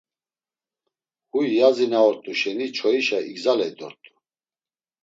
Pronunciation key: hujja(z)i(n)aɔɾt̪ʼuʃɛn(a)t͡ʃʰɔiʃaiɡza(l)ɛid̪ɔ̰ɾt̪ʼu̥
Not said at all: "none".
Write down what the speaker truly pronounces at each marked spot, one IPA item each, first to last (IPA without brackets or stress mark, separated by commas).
z, n, i, l